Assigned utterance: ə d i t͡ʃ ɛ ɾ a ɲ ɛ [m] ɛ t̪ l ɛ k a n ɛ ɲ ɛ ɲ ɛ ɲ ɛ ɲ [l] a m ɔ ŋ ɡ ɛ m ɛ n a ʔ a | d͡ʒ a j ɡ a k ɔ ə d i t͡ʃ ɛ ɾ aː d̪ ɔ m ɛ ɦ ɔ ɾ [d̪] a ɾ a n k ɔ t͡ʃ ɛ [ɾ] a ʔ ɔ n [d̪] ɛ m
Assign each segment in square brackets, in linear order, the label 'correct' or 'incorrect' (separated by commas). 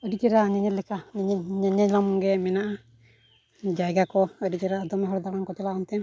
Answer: incorrect, correct, correct, incorrect, incorrect